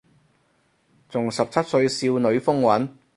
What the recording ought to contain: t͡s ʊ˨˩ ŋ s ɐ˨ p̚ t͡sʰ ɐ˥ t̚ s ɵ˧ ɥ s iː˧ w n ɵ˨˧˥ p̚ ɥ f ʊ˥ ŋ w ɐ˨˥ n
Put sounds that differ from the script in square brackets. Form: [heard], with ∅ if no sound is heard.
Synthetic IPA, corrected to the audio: t͡s ʊ˨˩ ŋ s ɐ˨ p̚ t͡sʰ ɐ˥ t̚ s ɵ˧ ɥ s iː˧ w n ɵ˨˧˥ [∅] ɥ f ʊ˥ ŋ w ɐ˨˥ n